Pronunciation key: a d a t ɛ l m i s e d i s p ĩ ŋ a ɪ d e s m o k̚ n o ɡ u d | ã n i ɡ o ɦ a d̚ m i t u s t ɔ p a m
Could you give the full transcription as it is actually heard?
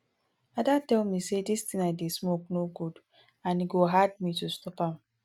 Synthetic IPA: a d a t ɛ l m i s e d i s t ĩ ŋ a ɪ d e s m o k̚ n o ɡ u d | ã n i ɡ o ɦ a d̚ m i t u s t ɔ p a m